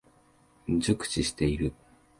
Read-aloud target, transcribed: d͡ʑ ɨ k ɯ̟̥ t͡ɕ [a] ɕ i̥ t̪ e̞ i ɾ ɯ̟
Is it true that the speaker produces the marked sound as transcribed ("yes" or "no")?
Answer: no